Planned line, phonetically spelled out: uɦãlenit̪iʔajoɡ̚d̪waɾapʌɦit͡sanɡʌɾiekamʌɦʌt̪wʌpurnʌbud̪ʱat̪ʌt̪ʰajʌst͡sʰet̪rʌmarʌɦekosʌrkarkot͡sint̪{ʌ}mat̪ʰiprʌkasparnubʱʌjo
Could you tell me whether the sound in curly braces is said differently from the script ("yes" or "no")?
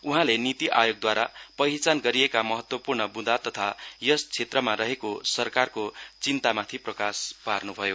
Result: yes